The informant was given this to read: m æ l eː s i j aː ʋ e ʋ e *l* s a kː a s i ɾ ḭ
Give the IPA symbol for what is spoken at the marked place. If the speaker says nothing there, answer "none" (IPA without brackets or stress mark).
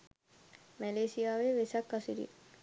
none